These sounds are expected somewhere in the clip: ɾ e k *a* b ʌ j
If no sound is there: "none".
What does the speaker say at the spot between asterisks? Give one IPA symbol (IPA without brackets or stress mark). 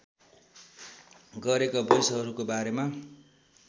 a